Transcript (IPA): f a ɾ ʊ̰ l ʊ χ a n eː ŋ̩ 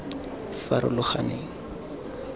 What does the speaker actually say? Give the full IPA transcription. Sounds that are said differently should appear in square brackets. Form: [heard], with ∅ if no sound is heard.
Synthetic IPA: f a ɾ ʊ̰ l ʊ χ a n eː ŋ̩